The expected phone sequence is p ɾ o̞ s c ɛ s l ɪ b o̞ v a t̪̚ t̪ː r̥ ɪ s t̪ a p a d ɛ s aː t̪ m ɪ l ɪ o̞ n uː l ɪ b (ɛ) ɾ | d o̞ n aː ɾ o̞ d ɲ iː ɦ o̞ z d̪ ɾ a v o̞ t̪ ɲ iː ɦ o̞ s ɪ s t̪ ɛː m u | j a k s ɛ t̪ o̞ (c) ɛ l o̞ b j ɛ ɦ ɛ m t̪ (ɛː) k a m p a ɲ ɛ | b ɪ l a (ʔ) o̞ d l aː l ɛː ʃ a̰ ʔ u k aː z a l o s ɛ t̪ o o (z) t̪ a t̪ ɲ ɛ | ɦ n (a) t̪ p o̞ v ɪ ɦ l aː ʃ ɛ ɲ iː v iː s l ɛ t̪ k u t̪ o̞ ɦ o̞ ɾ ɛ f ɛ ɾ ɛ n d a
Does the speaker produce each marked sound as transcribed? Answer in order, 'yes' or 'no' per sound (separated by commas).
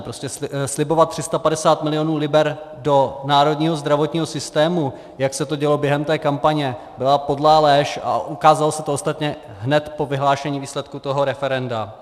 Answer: yes, no, yes, no, no, no